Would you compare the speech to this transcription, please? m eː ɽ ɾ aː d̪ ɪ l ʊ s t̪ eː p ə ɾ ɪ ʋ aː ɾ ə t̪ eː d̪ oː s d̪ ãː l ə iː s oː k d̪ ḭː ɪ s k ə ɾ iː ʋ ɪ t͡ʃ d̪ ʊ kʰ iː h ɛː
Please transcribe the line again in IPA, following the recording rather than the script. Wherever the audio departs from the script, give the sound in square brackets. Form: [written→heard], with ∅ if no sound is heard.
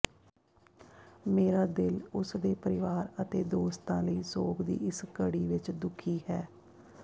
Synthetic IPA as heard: m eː [ɽ→∅] ɾ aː d̪ ɪ l ʊ s [t̪→d̪] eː p ə ɾ ɪ ʋ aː ɾ ə t̪ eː d̪ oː s [d̪→t̪] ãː l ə iː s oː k d̪ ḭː ɪ s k ə [ɾ→ɽ] iː ʋ ɪ t͡ʃ d̪ ʊ kʰ iː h ɛː